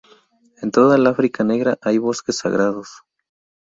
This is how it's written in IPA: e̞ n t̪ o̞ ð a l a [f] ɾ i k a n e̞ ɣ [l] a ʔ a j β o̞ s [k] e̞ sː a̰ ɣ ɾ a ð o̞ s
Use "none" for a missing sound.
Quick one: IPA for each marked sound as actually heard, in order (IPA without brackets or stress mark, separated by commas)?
f, ɾ, k